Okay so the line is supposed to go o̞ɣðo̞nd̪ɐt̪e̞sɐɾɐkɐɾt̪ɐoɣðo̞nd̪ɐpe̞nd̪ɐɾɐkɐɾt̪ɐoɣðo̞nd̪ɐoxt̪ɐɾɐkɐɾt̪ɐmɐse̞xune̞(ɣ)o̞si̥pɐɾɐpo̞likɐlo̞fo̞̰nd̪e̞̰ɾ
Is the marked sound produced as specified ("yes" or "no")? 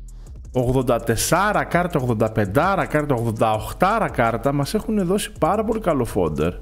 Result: no